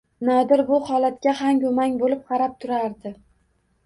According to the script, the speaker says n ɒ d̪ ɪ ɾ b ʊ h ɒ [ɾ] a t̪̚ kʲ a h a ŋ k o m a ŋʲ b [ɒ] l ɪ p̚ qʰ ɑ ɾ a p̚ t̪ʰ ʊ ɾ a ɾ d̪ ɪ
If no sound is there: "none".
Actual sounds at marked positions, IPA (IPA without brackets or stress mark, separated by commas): l, o